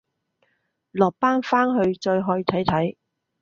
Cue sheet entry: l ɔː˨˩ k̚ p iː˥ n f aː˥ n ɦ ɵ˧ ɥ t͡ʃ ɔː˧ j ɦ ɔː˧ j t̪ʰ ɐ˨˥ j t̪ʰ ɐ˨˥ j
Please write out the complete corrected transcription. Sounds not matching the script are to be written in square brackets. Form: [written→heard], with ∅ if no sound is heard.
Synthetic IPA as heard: l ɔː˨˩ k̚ p [iː˥→aː˥] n f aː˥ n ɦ ɵ˧ ɥ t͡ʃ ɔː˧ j ɦ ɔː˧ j t̪ʰ ɐ˨˥ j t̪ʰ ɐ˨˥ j

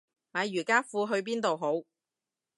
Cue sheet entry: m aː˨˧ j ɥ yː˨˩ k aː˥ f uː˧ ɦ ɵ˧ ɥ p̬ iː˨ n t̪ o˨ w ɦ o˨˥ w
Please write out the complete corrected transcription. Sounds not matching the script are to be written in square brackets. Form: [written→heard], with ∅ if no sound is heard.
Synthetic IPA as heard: m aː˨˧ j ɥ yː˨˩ k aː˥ f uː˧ ɦ ɵ˧ ɥ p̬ [iː˨→iː˥] n t̪ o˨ w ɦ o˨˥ w

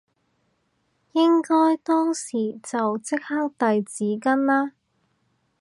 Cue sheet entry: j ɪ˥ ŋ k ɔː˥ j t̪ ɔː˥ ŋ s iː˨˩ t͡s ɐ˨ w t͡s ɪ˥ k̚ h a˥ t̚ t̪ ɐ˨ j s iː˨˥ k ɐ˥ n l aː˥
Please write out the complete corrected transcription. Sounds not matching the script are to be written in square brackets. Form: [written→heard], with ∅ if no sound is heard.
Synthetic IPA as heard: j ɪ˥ ŋ k ɔː˥ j t̪ ɔː˥ ŋ s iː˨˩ t͡s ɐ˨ w t͡s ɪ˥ k̚ h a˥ [t̚→k̚] t̪ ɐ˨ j [s→t͡s] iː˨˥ k ɐ˥ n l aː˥

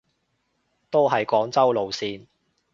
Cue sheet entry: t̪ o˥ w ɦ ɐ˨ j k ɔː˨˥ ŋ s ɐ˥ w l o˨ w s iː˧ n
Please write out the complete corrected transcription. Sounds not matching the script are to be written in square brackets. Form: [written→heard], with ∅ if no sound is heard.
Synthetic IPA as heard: t̪ o˥ w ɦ ɐ˨ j k ɔː˨˥ ŋ [s→t͡s] ɐ˥ w l o˨ w s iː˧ n

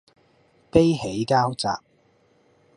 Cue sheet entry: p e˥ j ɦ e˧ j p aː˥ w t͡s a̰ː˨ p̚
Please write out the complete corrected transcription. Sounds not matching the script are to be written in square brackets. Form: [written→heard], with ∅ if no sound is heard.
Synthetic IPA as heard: p e˥ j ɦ [e˧→e˨˥] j [p→k] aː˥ w t͡s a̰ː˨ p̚

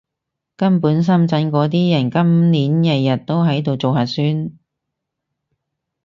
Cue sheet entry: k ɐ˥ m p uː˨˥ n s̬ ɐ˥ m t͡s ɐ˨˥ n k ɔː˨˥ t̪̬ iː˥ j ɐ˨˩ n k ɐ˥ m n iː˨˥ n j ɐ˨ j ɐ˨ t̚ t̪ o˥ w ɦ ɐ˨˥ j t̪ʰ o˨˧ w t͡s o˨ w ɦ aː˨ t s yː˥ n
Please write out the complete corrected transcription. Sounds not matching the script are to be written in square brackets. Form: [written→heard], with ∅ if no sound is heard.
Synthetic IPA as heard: k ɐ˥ m p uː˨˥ n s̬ ɐ˥ m t͡s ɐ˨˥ n k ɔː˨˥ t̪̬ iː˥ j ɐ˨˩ n k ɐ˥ m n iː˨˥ n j ɐ˨ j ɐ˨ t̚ t̪ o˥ w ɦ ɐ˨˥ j [t̪ʰ→t̪] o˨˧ w t͡s o˨ w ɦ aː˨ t s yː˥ n

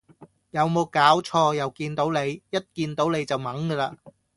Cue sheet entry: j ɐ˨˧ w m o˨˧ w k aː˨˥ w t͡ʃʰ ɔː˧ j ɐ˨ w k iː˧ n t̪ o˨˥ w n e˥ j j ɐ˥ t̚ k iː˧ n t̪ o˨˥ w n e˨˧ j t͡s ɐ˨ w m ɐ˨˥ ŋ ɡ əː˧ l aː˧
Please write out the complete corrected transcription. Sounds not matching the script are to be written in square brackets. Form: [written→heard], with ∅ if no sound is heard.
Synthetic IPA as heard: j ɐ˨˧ w m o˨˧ w k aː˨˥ w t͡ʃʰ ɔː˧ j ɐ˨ w k iː˧ n t̪ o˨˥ w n [e˥→e˨˧] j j ɐ˥ t̚ k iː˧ n t̪ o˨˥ w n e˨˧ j t͡s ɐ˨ w m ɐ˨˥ ŋ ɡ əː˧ l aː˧

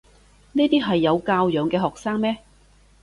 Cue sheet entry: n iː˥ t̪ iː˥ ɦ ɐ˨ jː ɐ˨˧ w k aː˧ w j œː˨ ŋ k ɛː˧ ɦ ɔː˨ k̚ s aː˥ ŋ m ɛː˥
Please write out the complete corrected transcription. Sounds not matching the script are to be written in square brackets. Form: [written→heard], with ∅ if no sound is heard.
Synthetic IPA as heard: n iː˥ t̪ iː˥ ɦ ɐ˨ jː ɐ˨˧ w k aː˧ w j œː˨ ŋ k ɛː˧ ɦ ɔː˨ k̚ s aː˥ ŋ m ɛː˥

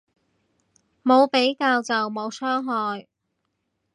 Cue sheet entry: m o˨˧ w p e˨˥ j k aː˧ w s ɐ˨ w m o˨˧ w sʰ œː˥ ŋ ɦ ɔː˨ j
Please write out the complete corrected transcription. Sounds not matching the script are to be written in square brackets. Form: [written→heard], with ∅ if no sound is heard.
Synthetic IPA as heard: m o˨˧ w p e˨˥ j k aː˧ w [s→t͡s] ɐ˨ w m o˨˧ w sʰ œː˥ ŋ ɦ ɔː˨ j

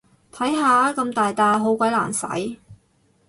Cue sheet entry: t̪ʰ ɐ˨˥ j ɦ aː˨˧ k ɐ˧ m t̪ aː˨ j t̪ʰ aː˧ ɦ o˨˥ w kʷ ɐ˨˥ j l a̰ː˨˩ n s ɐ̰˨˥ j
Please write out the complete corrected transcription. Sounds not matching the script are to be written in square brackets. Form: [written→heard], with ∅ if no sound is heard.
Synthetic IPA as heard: t̪ʰ ɐ˨˥ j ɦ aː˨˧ k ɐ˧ m t̪ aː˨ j [t̪ʰ→t̪] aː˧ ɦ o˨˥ w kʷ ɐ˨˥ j l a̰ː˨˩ n s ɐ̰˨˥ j

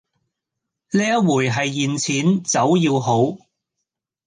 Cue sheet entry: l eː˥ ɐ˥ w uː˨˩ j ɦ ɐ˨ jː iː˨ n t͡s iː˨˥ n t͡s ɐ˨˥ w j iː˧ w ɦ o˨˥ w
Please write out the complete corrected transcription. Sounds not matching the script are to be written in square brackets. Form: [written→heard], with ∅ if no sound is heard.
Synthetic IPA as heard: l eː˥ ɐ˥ w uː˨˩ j ɦ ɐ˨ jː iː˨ n [t͡s→t͡sʰ] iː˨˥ n t͡s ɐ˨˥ w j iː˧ w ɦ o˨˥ w

